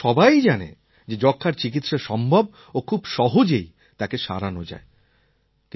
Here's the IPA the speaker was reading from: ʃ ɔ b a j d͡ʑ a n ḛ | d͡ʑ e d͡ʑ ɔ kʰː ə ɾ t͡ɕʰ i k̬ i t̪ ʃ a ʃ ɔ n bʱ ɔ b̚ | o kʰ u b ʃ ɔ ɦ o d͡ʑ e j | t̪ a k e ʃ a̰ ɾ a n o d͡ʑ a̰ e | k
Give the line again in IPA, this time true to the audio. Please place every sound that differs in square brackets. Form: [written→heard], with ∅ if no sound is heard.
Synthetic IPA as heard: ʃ ɔ b a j d͡ʑ a n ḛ | d͡ʑ e d͡ʑ ɔ kʰː [ə→a] ɾ [t͡ɕʰ→t͡ɕ] i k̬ i t̪ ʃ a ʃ ɔ [n→m] bʱ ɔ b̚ | o kʰ u b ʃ ɔ ɦ o d͡ʑ e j | t̪ a k e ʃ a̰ ɾ a n o d͡ʑ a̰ e | k